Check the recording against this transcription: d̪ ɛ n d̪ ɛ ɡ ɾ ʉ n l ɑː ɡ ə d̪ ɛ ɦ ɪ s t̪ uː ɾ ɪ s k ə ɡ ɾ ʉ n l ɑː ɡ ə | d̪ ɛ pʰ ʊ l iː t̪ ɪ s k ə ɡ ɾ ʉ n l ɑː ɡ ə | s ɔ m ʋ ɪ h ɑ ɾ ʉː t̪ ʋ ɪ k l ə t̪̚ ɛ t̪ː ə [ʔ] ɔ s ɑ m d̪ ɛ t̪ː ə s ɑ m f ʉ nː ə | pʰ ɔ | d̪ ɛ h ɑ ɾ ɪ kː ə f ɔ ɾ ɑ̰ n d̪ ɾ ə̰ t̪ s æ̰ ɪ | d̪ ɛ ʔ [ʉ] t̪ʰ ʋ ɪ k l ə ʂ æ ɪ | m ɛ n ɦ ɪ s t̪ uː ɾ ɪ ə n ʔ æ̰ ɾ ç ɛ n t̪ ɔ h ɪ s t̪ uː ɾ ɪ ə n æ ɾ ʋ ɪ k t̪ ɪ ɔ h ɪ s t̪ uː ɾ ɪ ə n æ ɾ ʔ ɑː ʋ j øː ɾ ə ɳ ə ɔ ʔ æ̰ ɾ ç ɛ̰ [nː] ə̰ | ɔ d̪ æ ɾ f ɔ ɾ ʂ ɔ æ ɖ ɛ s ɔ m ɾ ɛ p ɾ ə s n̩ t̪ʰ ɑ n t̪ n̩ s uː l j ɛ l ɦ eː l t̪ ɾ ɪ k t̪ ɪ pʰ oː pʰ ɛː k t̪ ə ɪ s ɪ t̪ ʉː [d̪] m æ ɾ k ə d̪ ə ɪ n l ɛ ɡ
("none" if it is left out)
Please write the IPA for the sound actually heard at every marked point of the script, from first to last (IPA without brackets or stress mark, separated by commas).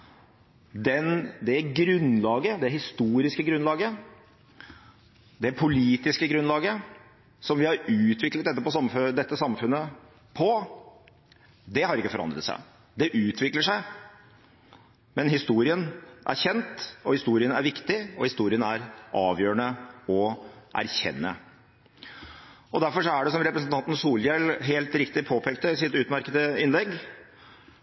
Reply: p, ʉː, nː, t̪